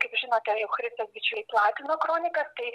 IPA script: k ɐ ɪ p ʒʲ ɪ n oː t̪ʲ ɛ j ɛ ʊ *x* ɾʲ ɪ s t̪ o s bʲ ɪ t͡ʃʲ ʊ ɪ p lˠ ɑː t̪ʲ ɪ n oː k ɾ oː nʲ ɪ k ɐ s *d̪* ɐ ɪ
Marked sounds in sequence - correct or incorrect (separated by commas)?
correct, incorrect